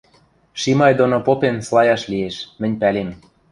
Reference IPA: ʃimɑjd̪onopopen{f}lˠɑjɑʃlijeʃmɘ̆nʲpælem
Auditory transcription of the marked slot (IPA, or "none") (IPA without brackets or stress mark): s